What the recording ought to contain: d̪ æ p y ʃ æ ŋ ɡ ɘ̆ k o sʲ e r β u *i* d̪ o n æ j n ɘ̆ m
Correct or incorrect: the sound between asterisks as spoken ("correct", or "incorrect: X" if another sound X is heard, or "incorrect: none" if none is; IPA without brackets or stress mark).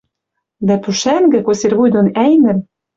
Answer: incorrect: j